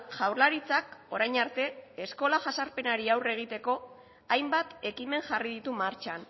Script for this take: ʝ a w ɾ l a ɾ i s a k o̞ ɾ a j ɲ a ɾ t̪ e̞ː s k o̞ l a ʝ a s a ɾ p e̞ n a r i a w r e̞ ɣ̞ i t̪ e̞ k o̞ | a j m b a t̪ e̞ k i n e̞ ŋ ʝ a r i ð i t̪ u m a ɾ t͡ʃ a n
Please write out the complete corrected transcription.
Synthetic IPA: ʝ a w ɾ l a ɾ i t͡s a k o̞ ɾ a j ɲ a ɾ t̪ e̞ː s k o̞ l a ʝ a s a ɾ p e̞ n a ɾ i a w r e̞ ɣ̞ i t̪ e̞ k o̞ | a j m b a t̪ e̞ k i m e̞ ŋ ʝ a r i ð i t̪ u m a ɾ t͡ʃ a n